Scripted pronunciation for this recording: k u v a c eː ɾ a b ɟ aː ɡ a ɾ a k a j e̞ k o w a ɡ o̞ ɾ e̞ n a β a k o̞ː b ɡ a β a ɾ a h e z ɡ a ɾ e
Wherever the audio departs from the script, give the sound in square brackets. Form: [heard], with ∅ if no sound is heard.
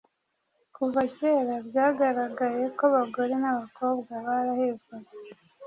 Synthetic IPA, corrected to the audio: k u v a c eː ɾ a b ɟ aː ɡ a ɾ a [ɡ] a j e̞ k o [β] a ɡ o̞ ɾ e̞ n a β a k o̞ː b ɡ a β a ɾ a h e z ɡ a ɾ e